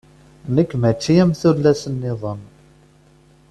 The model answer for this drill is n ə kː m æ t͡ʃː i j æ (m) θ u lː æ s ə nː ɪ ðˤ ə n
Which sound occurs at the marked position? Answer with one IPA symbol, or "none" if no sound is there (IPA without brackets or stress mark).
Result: m